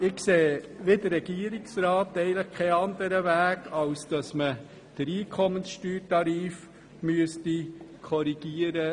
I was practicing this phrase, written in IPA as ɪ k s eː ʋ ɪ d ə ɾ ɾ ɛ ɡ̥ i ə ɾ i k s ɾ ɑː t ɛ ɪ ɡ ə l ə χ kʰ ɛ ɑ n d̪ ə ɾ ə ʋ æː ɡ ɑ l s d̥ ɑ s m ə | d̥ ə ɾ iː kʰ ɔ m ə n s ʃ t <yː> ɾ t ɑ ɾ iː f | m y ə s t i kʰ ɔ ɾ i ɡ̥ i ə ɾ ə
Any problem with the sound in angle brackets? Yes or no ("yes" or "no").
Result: no